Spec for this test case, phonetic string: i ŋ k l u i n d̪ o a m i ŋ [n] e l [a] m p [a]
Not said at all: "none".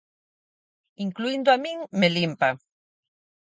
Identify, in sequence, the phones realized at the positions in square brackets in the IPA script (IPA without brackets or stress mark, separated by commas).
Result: m, i, a